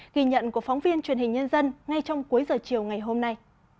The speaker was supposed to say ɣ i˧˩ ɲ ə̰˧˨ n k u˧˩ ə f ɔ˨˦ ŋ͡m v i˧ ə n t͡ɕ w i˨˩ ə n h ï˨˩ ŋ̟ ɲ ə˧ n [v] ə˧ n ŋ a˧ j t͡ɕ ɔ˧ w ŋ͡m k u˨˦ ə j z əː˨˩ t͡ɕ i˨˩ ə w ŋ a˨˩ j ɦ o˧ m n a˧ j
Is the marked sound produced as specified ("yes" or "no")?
no